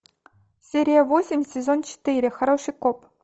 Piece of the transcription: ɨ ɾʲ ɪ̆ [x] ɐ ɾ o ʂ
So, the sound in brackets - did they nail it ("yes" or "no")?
yes